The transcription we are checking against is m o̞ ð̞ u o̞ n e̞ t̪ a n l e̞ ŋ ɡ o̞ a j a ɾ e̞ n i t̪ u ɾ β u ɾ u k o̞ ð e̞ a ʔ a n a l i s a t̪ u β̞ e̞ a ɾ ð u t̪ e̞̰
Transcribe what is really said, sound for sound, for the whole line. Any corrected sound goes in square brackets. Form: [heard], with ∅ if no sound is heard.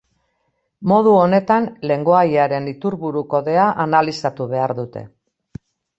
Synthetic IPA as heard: m o̞ ð̞ u o̞ n e̞ t̪ a n l e̞ ŋ ɡ o̞ a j a ɾ e̞ n i t̪ u ɾ β u ɾ u k o̞ ð e̞ a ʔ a n a l i s a t̪ u β̞ e̞ a ɾ ð u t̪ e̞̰

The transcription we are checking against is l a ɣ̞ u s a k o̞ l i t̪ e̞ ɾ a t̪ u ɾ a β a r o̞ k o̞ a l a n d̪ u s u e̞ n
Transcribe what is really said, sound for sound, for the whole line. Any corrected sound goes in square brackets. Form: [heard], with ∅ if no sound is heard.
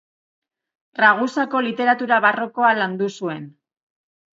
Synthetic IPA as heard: [r] a ɣ̞ u s a k o̞ l i t̪ e̞ ɾ a t̪ u ɾ a β a r o̞ k o̞ a l a n d̪ u s u e̞ n

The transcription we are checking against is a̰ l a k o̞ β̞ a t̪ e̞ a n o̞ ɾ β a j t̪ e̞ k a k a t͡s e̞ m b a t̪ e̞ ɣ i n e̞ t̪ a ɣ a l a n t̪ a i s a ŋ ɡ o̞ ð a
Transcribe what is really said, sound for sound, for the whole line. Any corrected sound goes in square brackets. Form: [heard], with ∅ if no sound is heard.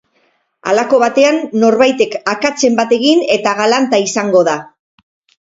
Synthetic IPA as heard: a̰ l a k o̞ β̞ a t̪ e̞ a [nː] o̞ ɾ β a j t̪ e̞ k a k a t͡s e̞ m b a t̪ e̞ ɣ i n e̞ t̪ a ɣ a l a n t̪ a i s a ŋ ɡ o̞ ð a

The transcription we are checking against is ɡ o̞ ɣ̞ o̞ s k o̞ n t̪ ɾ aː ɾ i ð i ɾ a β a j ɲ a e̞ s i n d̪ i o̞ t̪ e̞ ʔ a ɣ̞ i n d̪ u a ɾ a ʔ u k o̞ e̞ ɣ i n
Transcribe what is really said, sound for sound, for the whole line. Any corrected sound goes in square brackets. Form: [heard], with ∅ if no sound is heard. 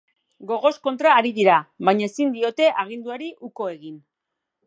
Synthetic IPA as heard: ɡ o̞ ɣ̞ o̞ s k o̞ n t̪ ɾ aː ɾ i ð i ɾ a β a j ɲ a e̞ s i n d̪ i o̞ t̪ e̞ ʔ a ɣ̞ i n d̪ u a ɾ [i] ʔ u k o̞ e̞ ɣ i n

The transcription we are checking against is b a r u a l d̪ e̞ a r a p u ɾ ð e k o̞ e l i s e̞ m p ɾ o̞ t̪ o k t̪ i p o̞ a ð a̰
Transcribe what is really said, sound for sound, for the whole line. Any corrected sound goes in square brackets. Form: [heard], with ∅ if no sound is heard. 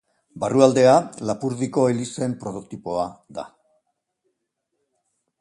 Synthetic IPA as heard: b a r u a l d̪ e̞ a [l] a p u ɾ ð [i] k o̞ e l i s e̞ m p ɾ o̞ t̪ o k t̪ i p o̞ a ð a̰

